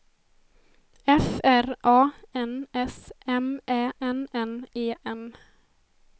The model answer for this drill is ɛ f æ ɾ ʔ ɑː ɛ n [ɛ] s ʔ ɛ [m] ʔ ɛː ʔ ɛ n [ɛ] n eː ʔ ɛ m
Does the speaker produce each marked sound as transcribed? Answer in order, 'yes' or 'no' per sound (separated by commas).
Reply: yes, yes, yes